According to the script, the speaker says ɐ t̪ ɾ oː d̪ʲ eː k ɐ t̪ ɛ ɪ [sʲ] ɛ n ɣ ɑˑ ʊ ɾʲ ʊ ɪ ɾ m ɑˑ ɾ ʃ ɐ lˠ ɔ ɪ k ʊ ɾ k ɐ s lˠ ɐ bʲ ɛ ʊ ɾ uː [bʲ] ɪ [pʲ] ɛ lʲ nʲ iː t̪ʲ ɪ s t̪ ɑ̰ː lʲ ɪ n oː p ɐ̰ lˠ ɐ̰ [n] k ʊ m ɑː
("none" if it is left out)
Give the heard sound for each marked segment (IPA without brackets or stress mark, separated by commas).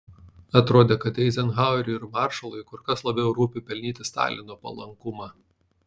zʲ, pʲ, pʲ, ŋ